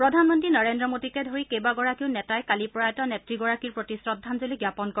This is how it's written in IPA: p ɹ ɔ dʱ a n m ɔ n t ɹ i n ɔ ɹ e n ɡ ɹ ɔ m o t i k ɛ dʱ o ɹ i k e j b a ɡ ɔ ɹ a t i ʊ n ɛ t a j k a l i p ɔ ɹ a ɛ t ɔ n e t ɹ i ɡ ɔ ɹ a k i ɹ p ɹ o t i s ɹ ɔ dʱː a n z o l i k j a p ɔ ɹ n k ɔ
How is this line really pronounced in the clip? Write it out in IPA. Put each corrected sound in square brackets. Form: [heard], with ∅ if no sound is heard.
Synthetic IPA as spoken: p ɹ ɔ dʱ a n m ɔ n t ɹ i n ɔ ɹ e n [d] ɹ ɔ m o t i k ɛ dʱ o ɹ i k e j b a ɡ ɔ ɹ a [k] i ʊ n ɛ t a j k a l i p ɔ ɹ a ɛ t ɔ n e t ɹ i ɡ ɔ ɹ a k i ɹ p ɹ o t i s ɹ ɔ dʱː a n z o l i [ɡ] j a p ɔ [∅] n k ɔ